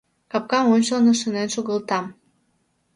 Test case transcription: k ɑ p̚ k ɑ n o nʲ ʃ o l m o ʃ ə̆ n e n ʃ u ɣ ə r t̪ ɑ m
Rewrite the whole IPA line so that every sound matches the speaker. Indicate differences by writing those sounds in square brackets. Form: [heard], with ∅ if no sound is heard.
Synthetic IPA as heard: k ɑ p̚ k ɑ [m] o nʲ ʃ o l [n] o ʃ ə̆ n e n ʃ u ɣ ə [l] t̪ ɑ m